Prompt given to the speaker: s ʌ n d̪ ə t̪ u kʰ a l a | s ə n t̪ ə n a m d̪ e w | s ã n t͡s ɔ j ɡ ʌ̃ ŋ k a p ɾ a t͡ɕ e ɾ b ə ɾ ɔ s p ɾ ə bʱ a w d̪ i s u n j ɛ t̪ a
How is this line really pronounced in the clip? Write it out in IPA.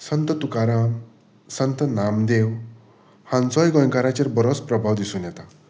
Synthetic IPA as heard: s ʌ n t̪ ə t̪ u k a ɾ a | s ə n t̪ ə n a m d̪ e w | h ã n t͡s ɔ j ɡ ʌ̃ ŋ k a ɾ a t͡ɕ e ɾ b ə ɾ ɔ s p ɾ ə bʱ a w d̪ i s u n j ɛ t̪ a